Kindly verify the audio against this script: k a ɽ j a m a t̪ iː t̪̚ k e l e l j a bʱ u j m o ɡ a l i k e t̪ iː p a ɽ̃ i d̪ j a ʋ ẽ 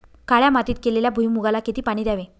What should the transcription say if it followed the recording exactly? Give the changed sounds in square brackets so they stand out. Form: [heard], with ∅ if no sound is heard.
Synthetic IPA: k a [ɭ] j a m a t̪ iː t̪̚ k e l e l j a bʱ u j m [u] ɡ a l [a] k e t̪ iː p a ɽ̃ i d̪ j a ʋ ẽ